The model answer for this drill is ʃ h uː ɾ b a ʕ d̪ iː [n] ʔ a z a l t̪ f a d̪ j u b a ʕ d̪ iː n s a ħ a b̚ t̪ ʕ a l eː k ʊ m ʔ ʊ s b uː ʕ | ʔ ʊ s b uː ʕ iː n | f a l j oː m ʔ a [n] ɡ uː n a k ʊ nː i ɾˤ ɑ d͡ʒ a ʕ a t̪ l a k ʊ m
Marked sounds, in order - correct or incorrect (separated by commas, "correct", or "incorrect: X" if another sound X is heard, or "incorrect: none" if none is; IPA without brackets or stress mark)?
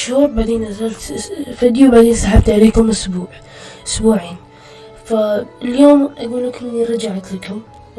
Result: correct, incorrect: none